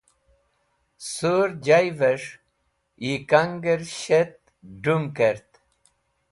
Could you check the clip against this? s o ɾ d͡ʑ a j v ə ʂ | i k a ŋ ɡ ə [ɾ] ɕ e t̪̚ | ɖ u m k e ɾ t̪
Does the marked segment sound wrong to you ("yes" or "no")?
no